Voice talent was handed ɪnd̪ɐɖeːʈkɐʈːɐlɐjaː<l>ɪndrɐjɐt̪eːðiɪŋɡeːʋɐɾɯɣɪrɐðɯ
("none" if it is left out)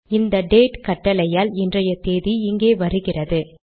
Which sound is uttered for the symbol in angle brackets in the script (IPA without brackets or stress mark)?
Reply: l